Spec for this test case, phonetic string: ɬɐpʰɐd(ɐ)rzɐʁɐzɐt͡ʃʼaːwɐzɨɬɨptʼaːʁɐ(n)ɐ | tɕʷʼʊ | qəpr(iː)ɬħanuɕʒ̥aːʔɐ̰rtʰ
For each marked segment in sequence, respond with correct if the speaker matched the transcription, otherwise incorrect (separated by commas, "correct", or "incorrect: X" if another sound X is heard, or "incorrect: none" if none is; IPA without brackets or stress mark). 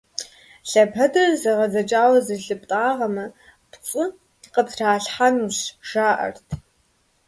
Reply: correct, incorrect: m, incorrect: aː